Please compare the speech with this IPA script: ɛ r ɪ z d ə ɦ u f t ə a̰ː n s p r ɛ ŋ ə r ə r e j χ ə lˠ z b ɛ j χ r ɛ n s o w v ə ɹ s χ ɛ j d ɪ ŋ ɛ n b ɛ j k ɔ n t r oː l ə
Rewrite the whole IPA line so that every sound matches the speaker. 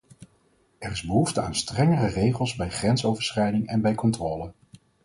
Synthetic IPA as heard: ɛ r ɪ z b ə ɦ u f t ə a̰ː n s t r ɛ ŋ ə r ə r e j χ ə lˠ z b ɛ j χ r ɛ n s o w v ə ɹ s χ ɛ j d ɪ ŋ ɛ n b ɛ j k ɔ n t r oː l ə